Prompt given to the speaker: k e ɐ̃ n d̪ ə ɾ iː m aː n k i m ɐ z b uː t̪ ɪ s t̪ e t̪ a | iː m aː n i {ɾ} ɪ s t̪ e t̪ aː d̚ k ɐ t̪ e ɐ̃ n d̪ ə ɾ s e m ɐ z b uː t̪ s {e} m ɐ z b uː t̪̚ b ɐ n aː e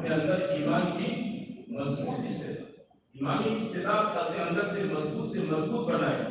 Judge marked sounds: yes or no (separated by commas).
no, yes